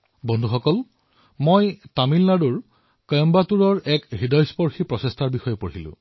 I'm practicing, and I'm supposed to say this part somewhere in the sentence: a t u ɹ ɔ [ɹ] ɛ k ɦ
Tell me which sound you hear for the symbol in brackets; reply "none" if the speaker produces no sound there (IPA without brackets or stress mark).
ɹ